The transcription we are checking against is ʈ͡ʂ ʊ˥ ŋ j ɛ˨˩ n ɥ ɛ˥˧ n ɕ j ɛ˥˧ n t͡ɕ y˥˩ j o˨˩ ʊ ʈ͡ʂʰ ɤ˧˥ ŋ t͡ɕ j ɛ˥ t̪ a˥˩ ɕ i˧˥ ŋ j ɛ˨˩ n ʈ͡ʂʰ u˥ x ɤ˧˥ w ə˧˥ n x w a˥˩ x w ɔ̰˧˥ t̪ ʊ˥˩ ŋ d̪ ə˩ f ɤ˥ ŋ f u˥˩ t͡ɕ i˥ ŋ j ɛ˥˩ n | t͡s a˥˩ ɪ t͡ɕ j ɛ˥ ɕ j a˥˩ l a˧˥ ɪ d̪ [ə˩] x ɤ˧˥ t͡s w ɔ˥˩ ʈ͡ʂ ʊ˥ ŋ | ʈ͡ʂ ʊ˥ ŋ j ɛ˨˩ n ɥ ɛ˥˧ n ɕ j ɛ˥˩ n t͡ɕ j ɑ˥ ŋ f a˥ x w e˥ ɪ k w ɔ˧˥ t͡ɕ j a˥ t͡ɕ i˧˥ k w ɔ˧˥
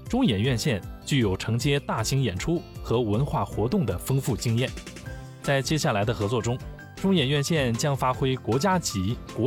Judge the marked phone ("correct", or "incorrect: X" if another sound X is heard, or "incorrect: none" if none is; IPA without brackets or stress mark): incorrect: ə˧